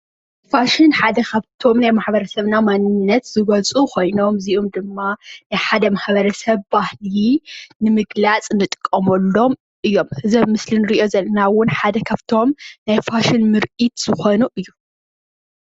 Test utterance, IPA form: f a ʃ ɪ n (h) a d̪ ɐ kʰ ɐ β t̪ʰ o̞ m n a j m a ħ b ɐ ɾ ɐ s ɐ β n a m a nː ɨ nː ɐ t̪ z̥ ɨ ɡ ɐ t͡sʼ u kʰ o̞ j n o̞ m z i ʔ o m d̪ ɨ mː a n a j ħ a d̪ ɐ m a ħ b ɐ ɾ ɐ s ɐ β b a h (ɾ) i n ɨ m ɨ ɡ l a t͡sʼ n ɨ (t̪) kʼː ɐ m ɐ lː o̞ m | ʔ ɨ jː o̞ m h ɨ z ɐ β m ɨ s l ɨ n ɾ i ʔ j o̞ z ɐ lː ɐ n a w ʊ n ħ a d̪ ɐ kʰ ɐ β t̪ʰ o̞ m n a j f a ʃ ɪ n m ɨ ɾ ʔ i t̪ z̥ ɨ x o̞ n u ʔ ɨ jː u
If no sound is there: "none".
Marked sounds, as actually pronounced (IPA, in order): ħ, l, t̪ʼ

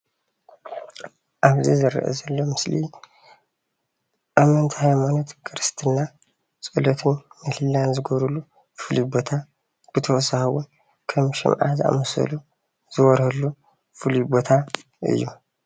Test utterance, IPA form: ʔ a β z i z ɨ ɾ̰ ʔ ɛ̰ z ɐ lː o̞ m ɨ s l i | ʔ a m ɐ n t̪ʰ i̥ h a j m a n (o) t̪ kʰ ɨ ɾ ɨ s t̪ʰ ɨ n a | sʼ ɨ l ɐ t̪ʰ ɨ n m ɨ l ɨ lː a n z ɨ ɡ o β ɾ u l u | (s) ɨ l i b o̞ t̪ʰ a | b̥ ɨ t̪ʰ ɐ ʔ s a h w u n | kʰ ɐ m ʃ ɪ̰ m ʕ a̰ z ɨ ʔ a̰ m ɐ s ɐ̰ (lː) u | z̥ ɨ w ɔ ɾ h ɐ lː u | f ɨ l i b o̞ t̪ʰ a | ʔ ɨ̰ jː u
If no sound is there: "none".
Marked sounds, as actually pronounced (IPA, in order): o, f, l

